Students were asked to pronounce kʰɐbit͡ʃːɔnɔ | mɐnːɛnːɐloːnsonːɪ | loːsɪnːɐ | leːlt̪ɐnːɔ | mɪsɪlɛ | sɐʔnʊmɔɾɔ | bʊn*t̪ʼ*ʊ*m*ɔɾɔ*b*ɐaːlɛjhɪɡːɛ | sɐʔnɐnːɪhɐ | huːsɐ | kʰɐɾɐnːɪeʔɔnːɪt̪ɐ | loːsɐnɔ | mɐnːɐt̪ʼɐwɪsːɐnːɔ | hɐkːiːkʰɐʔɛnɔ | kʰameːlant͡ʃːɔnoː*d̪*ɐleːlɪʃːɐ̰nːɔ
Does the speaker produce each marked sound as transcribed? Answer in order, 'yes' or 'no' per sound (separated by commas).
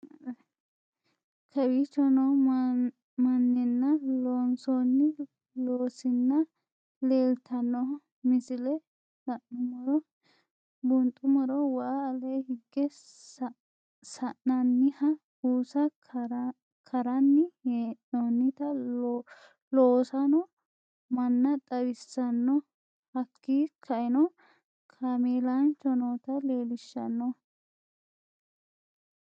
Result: yes, yes, no, no